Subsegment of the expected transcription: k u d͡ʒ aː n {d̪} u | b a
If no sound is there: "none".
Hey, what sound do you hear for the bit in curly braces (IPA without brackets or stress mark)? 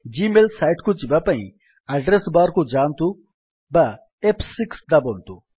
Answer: t̪